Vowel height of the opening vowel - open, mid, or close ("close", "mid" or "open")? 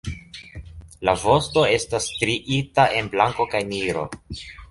open